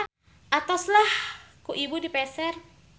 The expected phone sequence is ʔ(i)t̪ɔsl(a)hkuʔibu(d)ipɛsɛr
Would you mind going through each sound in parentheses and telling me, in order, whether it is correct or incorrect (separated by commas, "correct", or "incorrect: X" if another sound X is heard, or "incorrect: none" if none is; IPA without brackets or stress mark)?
incorrect: a, correct, correct